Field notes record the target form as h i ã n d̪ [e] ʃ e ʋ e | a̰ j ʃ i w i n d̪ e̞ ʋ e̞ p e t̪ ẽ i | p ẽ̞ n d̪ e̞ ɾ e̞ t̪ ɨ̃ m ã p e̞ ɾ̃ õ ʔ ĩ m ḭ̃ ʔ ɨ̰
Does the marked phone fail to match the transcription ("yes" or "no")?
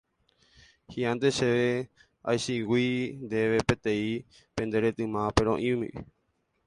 no